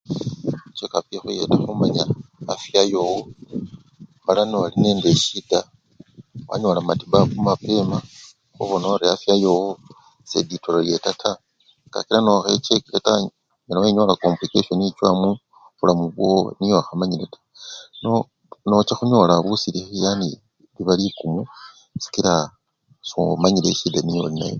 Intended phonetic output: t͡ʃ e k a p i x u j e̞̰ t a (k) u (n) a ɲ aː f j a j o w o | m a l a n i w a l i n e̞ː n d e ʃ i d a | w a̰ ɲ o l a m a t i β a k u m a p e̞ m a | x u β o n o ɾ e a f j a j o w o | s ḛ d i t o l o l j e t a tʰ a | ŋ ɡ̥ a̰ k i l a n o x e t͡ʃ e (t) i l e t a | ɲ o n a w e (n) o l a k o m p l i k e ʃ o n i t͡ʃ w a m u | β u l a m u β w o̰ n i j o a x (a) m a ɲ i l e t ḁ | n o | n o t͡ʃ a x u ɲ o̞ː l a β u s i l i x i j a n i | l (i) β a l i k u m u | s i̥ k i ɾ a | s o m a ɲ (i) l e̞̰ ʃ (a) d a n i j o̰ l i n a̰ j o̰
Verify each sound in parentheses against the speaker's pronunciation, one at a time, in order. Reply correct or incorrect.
incorrect, incorrect, incorrect, incorrect, correct, correct, correct, incorrect

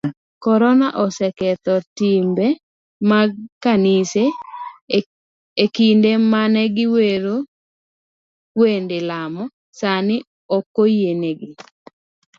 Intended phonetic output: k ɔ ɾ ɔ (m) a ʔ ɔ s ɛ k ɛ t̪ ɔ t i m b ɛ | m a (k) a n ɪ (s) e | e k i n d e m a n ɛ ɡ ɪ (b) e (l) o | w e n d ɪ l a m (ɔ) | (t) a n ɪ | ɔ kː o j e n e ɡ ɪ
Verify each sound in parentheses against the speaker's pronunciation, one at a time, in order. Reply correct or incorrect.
incorrect, correct, correct, incorrect, incorrect, correct, incorrect

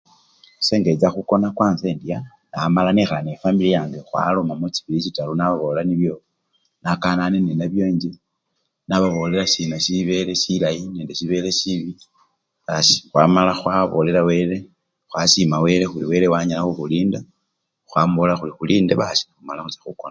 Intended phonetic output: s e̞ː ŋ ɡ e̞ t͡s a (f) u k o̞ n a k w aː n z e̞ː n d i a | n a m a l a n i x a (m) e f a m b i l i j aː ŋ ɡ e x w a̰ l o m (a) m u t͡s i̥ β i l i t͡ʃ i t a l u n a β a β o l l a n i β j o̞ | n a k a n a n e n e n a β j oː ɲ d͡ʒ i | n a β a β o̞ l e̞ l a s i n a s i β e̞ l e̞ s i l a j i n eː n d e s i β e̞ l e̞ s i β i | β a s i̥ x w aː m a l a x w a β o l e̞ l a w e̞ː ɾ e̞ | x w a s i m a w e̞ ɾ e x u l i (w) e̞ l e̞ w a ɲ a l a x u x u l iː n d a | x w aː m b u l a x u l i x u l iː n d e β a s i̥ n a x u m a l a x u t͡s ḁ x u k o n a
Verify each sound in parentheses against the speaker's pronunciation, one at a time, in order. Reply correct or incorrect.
incorrect, incorrect, correct, correct

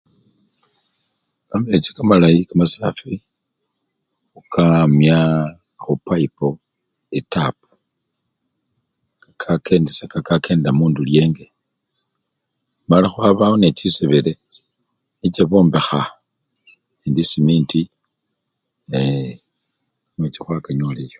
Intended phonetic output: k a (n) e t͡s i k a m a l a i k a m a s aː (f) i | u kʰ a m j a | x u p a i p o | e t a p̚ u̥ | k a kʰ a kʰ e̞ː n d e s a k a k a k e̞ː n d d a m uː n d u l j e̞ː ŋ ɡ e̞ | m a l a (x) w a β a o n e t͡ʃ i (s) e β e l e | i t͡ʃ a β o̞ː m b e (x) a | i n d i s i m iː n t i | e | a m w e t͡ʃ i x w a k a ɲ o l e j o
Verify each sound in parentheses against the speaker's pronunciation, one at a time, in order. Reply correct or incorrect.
incorrect, correct, correct, correct, correct

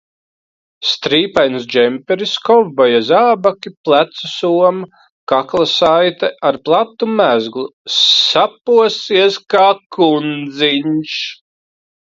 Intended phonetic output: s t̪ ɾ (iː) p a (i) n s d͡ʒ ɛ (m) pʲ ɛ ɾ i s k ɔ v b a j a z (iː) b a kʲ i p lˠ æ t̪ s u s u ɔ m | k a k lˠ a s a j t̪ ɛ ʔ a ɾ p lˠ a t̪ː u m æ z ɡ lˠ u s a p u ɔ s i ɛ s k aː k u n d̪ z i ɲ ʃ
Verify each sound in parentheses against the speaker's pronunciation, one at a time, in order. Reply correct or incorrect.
correct, incorrect, correct, incorrect

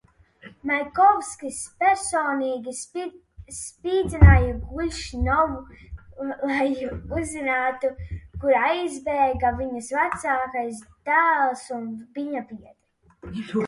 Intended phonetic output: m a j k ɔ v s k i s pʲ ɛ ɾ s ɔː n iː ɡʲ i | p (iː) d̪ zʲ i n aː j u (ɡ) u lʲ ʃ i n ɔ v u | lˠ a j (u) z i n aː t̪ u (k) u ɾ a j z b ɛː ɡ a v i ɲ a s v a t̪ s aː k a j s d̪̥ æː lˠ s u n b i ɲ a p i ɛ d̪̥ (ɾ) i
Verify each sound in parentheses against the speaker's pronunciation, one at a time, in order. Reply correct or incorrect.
correct, correct, correct, correct, correct

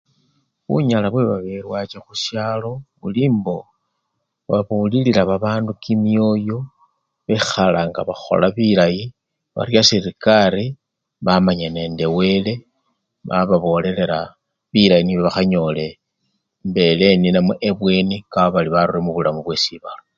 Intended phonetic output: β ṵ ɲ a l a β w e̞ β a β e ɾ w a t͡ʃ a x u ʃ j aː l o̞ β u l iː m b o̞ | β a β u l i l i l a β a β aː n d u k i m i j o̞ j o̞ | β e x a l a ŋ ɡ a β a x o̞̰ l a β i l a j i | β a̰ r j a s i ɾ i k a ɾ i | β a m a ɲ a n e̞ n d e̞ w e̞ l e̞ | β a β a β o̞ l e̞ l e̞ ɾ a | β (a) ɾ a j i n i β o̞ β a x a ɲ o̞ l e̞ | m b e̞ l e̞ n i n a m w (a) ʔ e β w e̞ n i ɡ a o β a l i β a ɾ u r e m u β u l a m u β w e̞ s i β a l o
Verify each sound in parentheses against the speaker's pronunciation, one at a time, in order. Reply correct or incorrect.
incorrect, incorrect

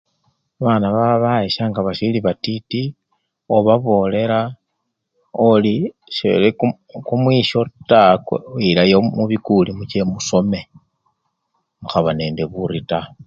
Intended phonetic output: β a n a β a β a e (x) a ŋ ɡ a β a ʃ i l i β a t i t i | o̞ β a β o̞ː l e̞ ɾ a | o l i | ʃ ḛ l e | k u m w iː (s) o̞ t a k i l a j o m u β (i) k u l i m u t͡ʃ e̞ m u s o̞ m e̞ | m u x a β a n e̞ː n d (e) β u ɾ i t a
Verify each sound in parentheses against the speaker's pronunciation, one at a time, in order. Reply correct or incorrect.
incorrect, incorrect, correct, correct

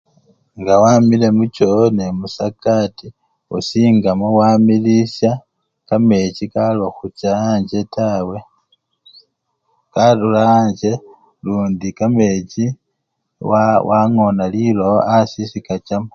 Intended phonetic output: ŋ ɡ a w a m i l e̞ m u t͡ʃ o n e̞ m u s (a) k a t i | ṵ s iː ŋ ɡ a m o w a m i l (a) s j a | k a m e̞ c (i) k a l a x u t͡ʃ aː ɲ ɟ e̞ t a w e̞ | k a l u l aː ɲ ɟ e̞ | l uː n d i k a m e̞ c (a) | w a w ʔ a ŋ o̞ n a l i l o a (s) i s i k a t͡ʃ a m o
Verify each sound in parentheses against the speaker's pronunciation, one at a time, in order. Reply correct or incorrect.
correct, incorrect, correct, incorrect, correct

